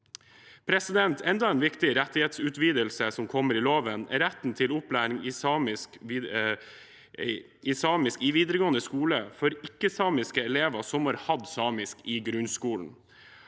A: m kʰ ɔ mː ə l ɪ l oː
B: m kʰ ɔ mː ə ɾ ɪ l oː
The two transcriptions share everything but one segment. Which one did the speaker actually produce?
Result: B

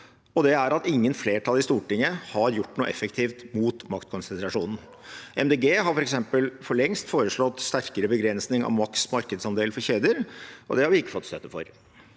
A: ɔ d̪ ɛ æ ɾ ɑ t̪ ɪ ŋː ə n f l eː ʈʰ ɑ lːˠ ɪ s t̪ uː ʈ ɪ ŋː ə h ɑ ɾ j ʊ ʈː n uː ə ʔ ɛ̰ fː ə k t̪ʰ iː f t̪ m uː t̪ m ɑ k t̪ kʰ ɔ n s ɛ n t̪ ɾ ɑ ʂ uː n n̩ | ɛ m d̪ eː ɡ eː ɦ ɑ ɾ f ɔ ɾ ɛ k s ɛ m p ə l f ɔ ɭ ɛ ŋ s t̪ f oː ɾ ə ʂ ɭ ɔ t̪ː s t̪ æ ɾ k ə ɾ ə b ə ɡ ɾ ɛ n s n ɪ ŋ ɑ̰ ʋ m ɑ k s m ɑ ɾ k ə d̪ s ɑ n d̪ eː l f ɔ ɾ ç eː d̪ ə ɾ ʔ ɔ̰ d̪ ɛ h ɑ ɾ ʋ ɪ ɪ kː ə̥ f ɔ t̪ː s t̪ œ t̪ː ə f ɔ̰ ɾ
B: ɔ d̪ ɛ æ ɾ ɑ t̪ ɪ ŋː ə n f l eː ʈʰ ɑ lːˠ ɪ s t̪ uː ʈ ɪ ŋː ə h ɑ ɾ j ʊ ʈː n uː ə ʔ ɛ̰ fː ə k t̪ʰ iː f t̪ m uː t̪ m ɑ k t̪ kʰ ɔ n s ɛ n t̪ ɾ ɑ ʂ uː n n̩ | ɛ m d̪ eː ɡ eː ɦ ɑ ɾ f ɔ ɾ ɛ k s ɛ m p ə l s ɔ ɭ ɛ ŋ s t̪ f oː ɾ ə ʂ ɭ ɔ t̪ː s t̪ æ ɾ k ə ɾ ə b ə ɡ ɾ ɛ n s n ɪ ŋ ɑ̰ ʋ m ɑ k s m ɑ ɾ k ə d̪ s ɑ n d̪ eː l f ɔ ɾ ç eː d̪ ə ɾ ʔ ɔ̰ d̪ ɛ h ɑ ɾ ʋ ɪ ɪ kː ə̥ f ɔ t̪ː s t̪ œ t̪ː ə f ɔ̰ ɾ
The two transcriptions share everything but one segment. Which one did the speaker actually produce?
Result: A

